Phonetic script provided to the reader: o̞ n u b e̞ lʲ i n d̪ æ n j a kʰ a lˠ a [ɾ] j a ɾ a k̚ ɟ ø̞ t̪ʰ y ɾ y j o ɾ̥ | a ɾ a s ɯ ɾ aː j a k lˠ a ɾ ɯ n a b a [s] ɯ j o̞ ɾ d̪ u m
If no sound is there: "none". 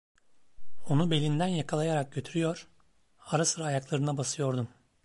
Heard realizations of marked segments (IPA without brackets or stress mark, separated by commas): none, s